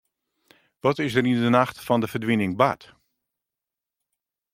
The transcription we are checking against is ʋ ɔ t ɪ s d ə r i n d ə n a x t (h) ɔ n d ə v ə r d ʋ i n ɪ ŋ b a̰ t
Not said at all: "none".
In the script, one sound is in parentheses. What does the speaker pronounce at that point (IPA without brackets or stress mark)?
f